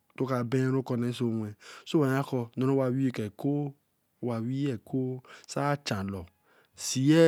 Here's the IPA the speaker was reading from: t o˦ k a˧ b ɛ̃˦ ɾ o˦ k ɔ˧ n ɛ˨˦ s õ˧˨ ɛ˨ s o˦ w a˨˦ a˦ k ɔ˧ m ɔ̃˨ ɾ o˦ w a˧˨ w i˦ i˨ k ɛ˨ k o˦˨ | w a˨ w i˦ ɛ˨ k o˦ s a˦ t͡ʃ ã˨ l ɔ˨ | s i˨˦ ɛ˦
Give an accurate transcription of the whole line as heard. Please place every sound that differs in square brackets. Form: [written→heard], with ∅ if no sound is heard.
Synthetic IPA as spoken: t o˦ k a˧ b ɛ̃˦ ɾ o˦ k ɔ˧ n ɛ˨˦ s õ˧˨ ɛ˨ s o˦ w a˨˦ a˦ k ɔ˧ [m→n] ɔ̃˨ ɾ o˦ w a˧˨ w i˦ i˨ k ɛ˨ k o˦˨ | w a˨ w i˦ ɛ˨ k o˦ s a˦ t͡ʃ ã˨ l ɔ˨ | s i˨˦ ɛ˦